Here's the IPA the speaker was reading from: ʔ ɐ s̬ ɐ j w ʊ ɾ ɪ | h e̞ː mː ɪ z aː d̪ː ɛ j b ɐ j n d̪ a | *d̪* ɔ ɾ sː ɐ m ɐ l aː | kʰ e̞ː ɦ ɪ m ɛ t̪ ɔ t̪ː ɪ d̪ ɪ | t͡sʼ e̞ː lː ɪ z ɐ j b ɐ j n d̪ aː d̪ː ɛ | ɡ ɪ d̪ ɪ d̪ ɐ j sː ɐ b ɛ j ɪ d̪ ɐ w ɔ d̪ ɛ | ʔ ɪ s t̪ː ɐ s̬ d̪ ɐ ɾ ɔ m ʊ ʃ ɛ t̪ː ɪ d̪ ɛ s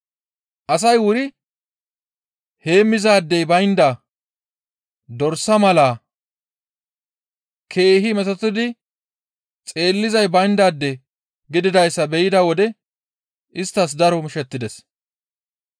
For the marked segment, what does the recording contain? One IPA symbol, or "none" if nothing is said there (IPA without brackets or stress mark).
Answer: d̪